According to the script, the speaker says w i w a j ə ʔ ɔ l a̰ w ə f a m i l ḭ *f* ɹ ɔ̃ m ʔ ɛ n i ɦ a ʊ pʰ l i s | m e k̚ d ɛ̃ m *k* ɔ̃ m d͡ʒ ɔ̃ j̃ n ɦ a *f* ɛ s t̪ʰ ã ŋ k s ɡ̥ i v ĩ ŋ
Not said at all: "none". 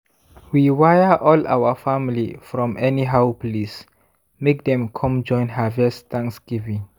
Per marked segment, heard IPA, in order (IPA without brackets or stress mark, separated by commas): f, kʰ, v